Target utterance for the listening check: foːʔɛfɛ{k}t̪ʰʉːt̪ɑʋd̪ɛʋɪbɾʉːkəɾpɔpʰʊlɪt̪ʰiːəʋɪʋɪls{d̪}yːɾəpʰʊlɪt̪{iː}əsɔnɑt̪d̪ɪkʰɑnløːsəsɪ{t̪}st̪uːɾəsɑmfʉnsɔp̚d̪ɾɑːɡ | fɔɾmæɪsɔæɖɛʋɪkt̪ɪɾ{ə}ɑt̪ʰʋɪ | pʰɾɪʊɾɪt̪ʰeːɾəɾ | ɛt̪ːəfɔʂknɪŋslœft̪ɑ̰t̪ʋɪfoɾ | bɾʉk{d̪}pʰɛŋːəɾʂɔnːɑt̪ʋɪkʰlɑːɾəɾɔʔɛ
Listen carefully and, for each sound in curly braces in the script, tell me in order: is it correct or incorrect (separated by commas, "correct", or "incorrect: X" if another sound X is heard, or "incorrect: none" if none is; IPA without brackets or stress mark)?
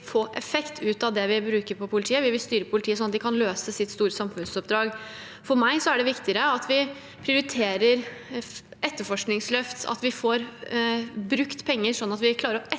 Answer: correct, incorrect: t̪, correct, correct, correct, incorrect: t̪